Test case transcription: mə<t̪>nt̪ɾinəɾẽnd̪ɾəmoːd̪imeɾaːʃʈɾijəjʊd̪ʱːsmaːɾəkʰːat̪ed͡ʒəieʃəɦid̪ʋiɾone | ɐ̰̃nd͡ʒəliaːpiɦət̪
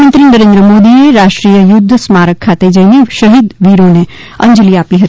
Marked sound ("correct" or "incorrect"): incorrect